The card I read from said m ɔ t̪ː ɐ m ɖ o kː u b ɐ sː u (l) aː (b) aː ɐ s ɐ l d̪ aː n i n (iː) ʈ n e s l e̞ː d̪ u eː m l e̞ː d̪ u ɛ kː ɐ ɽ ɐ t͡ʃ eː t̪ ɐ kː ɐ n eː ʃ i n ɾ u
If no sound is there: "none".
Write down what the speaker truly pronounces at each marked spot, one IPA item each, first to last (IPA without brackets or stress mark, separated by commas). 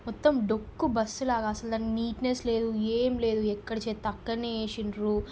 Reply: l, ɡ, iː